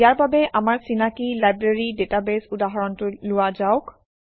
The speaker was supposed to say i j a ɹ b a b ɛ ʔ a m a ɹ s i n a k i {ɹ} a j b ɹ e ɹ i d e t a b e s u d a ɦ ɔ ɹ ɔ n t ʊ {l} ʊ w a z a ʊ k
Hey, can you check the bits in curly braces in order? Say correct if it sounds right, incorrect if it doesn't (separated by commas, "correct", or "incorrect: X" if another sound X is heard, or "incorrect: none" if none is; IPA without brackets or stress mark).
incorrect: l, correct